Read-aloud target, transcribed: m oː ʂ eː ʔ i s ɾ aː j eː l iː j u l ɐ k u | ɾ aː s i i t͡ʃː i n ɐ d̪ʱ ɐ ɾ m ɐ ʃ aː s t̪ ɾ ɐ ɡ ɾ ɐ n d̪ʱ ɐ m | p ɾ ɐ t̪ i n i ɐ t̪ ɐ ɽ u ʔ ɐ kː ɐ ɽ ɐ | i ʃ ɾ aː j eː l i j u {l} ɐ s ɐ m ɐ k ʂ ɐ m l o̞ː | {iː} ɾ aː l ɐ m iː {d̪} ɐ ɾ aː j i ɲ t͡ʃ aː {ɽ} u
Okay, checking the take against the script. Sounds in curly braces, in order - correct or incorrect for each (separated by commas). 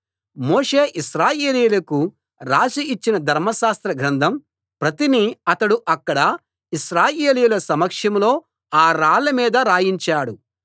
correct, incorrect, correct, correct